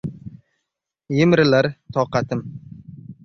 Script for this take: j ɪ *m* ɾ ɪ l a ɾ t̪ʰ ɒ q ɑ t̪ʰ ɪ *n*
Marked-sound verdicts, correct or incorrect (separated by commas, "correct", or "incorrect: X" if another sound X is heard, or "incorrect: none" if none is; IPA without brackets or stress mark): correct, incorrect: m